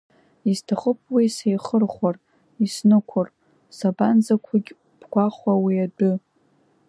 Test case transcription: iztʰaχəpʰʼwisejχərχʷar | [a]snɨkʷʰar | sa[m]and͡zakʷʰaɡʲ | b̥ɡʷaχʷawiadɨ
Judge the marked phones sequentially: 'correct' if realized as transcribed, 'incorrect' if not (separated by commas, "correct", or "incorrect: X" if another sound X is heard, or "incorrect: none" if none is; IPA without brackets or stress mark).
incorrect: i, incorrect: b